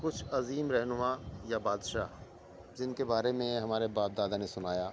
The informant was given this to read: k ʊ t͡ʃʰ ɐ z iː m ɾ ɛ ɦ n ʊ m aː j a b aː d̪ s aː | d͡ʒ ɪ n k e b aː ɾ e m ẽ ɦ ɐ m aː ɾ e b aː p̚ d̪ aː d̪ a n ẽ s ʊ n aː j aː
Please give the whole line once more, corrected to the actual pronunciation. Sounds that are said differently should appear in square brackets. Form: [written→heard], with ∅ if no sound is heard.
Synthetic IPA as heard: k ʊ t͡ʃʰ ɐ z iː m ɾ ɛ ɦ n ʊ m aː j a b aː d̪ [s→ʃ] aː | d͡ʒ ɪ n k e b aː ɾ e m ẽ ɦ ɐ m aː ɾ e b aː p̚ d̪ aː d̪ a n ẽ s ʊ n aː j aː